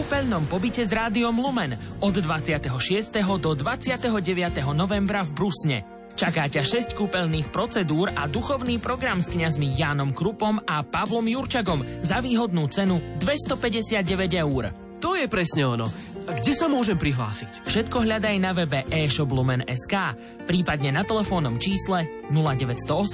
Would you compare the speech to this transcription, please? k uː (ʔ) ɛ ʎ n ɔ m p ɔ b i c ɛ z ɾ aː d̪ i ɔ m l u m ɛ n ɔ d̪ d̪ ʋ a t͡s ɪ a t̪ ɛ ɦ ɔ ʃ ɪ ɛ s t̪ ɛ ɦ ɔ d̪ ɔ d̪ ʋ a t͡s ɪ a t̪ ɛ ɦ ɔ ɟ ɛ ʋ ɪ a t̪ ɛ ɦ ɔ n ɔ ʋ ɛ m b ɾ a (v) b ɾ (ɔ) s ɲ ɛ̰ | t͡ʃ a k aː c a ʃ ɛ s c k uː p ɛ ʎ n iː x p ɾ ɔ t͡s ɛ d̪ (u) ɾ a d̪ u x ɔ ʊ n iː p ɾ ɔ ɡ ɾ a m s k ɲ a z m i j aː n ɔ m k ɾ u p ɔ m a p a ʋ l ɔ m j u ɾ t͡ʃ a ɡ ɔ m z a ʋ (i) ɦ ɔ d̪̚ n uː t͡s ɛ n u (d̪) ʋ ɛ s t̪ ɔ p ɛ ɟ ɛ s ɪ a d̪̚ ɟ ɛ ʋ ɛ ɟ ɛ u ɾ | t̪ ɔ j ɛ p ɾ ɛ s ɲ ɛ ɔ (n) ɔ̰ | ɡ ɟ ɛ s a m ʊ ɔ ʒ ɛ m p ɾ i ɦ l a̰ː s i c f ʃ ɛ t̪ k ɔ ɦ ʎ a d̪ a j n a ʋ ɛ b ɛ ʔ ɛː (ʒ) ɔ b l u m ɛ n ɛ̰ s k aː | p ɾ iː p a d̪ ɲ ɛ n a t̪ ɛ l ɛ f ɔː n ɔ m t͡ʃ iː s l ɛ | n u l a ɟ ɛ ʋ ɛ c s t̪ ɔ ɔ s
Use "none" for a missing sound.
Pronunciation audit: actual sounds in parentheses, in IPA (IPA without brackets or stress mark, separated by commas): p, v, u, uː, iː, d̪, n, ʃ